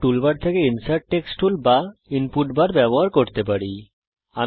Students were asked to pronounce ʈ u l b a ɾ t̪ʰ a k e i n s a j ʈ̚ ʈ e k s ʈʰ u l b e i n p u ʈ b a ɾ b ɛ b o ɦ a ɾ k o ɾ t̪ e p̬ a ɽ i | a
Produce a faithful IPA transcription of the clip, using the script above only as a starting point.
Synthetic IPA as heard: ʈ u l b a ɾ t̪ʰ e k e i n s a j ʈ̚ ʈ e k s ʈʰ u l b a i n p u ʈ b a ɾ b ɛ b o ɦ a ɾ k o ɾ t̪ e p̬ a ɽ i | a